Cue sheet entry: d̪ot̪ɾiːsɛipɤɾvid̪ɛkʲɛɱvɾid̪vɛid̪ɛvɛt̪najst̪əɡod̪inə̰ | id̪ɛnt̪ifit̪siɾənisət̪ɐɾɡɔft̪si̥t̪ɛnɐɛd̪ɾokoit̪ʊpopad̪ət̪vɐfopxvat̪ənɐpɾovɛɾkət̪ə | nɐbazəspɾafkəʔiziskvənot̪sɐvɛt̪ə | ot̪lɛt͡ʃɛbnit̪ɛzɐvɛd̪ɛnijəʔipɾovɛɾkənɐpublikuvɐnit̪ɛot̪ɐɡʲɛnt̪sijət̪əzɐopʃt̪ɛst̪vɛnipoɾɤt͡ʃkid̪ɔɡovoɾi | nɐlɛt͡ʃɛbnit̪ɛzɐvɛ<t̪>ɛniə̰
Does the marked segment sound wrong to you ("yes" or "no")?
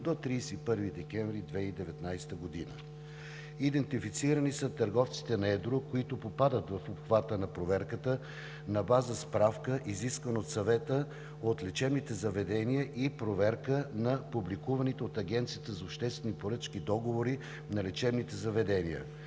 yes